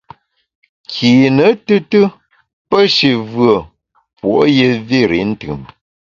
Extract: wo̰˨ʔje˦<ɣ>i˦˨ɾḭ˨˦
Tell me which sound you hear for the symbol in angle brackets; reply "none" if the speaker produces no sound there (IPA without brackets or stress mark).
v